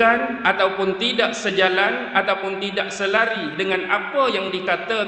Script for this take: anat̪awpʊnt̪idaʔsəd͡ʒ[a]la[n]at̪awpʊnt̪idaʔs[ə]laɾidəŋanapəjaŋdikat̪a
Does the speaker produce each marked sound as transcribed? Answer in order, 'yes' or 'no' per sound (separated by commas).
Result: yes, yes, yes